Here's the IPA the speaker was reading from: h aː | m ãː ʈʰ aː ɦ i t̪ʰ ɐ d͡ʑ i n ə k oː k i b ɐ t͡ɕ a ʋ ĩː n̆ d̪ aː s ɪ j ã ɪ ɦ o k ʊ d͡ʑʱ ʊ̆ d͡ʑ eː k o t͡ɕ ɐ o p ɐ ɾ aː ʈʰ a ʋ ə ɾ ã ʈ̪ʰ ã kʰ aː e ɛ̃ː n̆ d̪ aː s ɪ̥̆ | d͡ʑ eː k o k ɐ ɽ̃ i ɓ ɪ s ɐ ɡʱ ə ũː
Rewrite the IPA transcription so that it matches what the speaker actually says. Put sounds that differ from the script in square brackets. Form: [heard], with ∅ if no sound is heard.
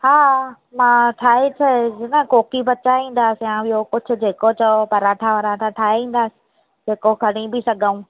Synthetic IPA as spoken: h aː | m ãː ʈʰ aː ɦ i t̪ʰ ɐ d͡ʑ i n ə k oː k i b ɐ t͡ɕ a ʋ ĩː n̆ d̪ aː s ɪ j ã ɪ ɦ o k ʊ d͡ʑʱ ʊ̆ d͡ʑ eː k o t͡ɕ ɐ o p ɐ ɾ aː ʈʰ a ʋ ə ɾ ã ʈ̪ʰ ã [ʈʰ] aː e [ĩː] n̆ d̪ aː s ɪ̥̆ | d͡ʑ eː k o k ɐ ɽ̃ i [b] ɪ s ɐ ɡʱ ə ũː

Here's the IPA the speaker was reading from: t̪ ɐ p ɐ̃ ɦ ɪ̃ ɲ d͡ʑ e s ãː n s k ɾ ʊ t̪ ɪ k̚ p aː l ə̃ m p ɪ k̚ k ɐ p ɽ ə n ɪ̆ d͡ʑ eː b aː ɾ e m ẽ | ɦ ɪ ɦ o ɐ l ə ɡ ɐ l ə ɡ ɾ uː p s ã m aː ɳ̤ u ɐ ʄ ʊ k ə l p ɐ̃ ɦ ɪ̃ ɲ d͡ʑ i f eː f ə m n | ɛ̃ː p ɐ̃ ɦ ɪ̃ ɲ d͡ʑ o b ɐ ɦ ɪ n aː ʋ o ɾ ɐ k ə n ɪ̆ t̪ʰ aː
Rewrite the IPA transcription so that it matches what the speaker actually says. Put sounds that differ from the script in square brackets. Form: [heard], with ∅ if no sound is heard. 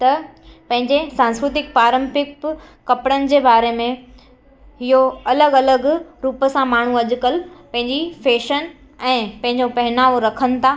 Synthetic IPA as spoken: t̪ ɐ p ɐ̃ ɦ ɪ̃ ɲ d͡ʑ e s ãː n s k ɾ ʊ t̪ ɪ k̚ p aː [ɾ] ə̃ m p ɪ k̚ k ɐ p ɽ ə n ɪ̆ d͡ʑ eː b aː ɾ e m ẽ | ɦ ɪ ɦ o ɐ l ə ɡ ɐ l ə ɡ ɾ uː p s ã m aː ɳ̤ u ɐ ʄ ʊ k ə l p ɐ̃ ɦ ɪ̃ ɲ d͡ʑ i f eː [ʃ] ə [∅] n | ɛ̃ː p ɐ̃ ɦ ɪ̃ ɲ d͡ʑ o [p] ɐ ɦ ɪ n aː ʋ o ɾ ɐ [kʰ] ə n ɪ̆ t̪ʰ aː

